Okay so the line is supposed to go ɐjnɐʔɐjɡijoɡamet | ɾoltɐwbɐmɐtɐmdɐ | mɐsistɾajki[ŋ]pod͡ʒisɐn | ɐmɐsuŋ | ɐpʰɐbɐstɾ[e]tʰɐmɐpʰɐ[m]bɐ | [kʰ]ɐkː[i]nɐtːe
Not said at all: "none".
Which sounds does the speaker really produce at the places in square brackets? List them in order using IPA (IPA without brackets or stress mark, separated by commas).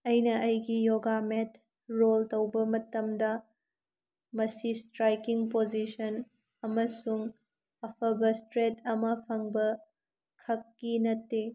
ŋ, e, ŋ, kʰ, i